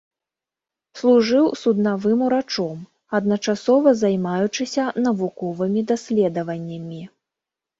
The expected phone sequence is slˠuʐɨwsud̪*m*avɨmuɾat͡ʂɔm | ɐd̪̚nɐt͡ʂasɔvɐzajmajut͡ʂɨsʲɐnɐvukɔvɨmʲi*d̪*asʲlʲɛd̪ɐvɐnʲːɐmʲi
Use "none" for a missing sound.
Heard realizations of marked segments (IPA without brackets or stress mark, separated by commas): n, d̪